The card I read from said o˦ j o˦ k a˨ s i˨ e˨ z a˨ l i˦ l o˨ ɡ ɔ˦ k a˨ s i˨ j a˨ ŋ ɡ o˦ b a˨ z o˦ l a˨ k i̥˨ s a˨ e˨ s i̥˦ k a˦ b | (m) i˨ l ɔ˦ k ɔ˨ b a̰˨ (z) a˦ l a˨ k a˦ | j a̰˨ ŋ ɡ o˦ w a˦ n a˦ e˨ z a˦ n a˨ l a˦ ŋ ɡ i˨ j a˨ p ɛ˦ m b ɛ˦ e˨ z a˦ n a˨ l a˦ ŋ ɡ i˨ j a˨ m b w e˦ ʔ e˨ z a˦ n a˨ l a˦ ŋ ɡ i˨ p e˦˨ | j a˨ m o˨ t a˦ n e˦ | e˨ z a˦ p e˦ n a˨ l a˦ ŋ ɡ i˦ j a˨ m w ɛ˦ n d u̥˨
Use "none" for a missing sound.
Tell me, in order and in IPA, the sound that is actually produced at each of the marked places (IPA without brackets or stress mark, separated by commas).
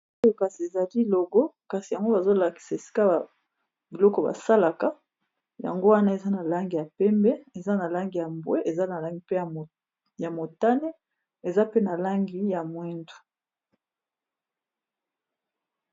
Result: b, s